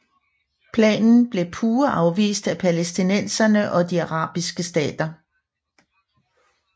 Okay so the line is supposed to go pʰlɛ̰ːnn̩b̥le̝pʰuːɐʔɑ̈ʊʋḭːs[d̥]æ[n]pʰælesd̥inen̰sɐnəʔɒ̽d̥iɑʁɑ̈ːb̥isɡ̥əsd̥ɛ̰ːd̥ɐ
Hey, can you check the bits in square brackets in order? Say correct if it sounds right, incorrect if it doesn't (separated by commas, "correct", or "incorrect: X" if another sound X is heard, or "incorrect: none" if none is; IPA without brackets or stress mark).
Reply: correct, incorrect: none